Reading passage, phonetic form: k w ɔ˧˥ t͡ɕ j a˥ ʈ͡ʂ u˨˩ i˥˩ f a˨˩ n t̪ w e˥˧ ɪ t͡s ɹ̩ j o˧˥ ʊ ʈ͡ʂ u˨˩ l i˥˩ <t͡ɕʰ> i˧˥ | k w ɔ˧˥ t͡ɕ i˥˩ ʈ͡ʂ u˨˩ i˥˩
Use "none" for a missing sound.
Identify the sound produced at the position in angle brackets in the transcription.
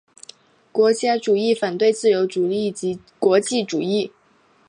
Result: t͡ɕ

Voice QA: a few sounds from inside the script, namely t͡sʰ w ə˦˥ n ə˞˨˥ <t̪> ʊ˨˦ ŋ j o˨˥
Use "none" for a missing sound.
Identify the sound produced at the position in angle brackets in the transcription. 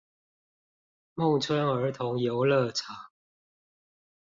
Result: t̪ʰ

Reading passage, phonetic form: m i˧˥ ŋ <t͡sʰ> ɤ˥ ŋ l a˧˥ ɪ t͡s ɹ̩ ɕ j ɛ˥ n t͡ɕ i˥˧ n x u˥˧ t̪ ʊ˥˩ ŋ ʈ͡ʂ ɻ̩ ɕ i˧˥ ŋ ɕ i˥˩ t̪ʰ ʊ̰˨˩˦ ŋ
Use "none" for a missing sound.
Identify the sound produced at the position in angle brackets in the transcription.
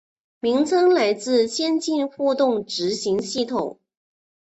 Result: t͡sʰ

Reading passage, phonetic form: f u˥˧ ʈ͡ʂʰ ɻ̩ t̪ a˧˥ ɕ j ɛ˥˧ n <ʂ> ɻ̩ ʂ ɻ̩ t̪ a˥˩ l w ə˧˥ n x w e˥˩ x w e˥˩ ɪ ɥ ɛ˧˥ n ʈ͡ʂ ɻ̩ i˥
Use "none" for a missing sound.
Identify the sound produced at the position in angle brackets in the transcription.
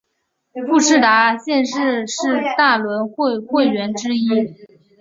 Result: ʂ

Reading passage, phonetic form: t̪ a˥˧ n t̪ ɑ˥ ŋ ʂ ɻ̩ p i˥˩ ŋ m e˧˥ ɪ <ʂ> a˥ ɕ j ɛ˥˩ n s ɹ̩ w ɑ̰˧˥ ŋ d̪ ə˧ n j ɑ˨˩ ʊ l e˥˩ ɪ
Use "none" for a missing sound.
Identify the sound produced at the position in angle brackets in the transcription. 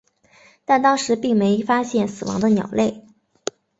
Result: f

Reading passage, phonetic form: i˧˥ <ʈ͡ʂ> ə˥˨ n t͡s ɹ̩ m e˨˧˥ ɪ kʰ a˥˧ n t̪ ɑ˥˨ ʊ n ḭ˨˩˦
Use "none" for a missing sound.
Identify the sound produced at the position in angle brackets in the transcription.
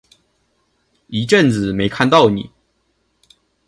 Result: ʈ͡ʂ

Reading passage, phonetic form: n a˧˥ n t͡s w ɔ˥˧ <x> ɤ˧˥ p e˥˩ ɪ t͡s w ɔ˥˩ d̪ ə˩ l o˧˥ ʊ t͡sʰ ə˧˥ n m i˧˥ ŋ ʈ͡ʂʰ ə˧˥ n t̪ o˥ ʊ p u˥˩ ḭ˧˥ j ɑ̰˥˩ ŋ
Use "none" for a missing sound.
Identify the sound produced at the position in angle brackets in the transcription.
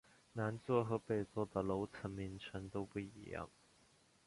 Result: x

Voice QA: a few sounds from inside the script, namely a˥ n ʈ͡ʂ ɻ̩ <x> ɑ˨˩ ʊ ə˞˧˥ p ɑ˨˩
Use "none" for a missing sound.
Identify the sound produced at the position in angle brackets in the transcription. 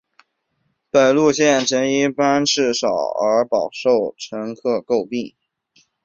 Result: ʂ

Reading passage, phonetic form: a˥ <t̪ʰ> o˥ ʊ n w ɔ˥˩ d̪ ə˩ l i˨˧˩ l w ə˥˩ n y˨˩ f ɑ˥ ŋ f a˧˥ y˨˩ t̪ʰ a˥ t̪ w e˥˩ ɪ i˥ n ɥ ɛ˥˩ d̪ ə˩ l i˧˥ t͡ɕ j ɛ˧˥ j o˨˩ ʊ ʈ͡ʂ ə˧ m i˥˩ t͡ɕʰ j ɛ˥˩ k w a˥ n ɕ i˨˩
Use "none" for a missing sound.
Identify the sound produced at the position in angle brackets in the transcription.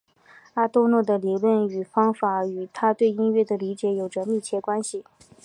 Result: t̪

